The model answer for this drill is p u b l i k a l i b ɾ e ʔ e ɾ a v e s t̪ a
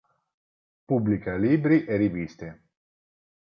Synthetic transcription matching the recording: p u b l i k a l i b ɾ i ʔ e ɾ i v i s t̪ e